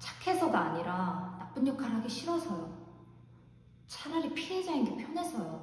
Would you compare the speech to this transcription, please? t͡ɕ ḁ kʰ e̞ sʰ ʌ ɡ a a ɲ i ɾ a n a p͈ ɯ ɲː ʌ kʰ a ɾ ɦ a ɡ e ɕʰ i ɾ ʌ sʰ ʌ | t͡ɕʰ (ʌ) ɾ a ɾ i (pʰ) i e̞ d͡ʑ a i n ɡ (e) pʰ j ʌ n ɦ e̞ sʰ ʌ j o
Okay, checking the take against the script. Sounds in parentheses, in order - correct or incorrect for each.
incorrect, correct, correct

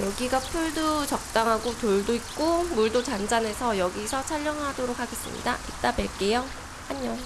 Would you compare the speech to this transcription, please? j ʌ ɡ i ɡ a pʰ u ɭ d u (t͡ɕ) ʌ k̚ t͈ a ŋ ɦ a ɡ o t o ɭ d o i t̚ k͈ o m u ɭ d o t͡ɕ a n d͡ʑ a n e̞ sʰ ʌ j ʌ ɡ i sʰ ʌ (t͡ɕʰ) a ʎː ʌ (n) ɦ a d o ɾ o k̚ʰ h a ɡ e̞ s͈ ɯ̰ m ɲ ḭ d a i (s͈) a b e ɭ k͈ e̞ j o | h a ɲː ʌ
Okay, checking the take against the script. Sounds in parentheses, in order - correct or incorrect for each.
correct, correct, incorrect, incorrect

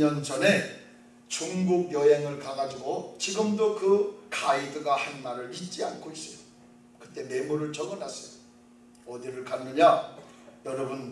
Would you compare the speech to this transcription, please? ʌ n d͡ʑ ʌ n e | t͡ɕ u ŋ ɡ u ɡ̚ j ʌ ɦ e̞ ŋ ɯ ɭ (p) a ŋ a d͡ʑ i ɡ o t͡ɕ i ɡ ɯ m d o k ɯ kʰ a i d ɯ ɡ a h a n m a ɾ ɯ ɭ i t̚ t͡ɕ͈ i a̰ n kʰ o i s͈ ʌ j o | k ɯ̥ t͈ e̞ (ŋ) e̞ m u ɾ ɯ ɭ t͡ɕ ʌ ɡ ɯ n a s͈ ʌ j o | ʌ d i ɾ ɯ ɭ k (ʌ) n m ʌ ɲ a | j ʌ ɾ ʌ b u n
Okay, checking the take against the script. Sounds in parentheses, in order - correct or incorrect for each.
incorrect, incorrect, incorrect

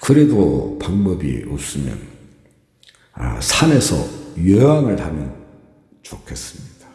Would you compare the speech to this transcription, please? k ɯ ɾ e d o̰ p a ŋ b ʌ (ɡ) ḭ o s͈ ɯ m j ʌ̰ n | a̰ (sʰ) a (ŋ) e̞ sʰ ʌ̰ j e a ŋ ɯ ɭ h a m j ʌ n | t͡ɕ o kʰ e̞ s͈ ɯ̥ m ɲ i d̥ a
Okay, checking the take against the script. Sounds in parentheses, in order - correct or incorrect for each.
incorrect, correct, incorrect

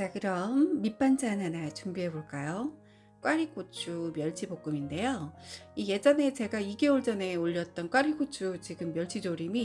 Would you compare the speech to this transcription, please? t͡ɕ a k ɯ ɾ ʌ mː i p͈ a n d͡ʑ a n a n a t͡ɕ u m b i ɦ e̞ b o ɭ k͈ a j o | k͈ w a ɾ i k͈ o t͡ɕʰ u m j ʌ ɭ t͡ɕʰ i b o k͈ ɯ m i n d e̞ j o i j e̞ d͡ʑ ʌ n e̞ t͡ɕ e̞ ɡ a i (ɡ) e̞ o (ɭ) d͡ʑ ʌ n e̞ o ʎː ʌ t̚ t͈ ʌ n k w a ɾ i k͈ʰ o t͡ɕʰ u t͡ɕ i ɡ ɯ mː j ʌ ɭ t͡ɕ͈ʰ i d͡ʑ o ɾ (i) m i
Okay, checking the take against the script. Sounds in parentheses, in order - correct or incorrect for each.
correct, correct, correct

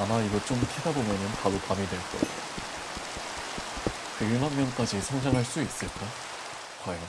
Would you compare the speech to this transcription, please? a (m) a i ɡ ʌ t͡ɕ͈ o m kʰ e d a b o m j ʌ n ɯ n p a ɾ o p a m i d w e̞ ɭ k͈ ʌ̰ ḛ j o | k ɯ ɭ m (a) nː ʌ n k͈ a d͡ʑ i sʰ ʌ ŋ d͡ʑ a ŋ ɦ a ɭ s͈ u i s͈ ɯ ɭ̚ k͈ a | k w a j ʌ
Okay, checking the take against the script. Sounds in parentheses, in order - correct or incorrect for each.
correct, correct

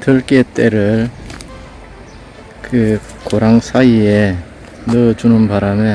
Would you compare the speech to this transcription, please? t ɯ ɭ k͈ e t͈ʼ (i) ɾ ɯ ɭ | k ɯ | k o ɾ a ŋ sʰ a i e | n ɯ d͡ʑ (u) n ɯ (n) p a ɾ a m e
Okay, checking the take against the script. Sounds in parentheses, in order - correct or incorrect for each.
incorrect, correct, correct

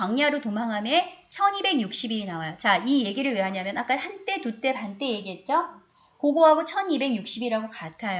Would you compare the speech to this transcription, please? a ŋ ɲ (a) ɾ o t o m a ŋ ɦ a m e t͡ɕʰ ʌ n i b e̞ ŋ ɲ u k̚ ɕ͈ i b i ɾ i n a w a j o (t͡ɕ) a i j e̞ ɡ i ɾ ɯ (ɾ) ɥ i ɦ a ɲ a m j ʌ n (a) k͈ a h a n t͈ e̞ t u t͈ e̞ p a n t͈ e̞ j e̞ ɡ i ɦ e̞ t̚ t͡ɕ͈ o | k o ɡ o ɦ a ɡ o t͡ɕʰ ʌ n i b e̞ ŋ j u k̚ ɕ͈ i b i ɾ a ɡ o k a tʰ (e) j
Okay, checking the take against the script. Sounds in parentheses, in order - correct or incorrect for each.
correct, correct, incorrect, correct, incorrect

